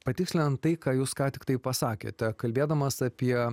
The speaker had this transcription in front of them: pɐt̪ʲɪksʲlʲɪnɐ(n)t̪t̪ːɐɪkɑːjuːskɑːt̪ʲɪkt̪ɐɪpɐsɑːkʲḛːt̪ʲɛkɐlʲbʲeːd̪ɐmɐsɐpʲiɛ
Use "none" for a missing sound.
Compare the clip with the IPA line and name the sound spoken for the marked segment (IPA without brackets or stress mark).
n